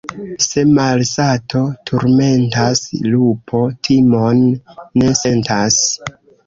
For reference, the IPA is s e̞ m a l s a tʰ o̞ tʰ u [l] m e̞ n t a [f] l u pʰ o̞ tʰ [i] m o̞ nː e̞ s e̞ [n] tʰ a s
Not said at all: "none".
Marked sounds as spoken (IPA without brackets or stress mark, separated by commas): ɾ, s, i, n